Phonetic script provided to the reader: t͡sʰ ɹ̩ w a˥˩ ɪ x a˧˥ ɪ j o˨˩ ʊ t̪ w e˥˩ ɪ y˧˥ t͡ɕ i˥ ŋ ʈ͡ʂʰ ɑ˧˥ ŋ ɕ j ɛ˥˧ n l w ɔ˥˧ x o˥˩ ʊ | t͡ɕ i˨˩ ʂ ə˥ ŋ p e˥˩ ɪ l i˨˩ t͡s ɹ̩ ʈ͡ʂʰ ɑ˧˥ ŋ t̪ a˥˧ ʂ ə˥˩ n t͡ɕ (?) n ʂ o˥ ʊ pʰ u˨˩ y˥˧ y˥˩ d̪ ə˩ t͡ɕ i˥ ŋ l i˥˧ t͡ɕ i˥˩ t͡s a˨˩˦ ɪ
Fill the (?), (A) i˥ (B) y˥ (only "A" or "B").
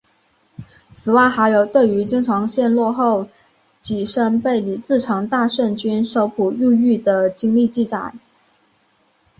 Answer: B